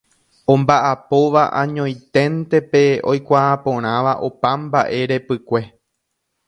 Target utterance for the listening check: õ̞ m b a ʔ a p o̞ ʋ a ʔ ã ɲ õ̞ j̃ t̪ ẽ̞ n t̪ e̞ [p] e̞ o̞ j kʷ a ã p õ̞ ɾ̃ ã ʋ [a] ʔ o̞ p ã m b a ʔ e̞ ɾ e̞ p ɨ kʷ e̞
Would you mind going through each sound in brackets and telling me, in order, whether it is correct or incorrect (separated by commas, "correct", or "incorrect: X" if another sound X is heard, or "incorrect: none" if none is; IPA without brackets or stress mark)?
correct, correct